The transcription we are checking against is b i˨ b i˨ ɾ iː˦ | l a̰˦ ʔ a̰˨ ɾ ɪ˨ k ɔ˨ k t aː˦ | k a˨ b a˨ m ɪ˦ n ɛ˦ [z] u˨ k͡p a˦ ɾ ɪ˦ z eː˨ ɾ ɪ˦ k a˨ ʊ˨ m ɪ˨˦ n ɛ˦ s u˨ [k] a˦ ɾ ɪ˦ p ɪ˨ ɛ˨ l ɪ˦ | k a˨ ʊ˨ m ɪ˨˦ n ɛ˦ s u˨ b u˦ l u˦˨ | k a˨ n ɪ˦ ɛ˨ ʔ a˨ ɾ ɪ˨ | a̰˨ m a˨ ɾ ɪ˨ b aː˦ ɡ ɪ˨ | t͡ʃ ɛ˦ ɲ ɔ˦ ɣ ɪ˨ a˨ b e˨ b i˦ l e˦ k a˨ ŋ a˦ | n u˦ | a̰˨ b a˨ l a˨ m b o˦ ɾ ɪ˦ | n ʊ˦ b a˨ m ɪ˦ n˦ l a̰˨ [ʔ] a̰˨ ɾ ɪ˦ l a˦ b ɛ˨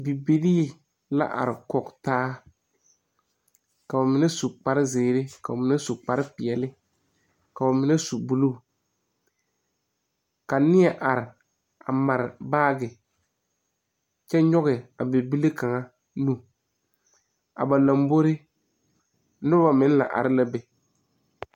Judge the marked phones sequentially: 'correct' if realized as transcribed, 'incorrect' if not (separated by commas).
incorrect, incorrect, correct